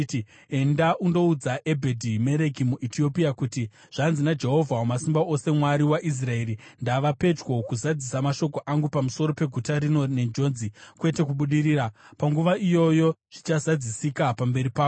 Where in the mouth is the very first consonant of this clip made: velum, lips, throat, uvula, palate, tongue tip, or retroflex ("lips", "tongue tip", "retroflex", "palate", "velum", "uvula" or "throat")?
tongue tip